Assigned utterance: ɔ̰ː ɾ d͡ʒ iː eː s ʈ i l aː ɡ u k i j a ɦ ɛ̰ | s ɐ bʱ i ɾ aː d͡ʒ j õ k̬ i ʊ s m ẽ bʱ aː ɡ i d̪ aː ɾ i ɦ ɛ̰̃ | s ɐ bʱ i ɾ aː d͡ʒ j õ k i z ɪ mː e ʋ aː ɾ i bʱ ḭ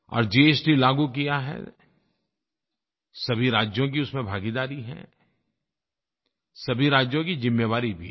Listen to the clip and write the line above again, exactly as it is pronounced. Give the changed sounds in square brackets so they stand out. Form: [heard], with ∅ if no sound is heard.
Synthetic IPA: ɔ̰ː ɾ d͡ʒ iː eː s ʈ i l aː ɡ u k i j a ɦ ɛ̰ | s ɐ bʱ i ɾ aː d͡ʒ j õ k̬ i ʊ s m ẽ bʱ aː ɡ i d̪ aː ɾ i ɦ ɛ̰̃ | s ɐ bʱ i ɾ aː d͡ʒ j õ k i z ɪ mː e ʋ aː ɾ i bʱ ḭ